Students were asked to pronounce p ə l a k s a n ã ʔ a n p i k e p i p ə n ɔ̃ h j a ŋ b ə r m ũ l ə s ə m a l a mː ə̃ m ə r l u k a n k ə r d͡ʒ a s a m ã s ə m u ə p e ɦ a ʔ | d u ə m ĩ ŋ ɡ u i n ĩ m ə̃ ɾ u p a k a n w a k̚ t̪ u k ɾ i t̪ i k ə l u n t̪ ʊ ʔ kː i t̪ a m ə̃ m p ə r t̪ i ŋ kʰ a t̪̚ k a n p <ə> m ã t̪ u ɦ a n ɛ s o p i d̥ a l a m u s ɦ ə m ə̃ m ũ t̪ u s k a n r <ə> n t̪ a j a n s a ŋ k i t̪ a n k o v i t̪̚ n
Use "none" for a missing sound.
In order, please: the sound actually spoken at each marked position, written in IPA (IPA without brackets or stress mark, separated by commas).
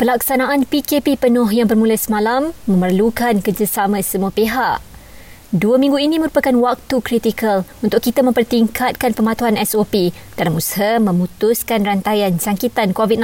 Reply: ə, a